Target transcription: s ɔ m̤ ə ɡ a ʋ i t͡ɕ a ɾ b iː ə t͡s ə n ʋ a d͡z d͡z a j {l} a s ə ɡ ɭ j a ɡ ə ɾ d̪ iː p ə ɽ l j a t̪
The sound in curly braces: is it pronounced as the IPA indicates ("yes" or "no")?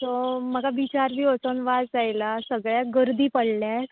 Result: yes